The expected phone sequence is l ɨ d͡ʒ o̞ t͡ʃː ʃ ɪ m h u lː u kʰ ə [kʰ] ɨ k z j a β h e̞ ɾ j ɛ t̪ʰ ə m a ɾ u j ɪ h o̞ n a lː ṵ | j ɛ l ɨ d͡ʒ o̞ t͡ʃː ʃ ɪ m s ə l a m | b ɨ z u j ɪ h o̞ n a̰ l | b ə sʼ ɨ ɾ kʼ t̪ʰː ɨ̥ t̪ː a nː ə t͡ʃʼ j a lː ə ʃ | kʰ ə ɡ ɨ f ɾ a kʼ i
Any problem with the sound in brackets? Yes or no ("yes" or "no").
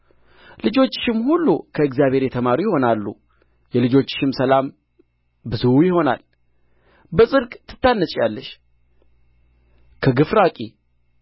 yes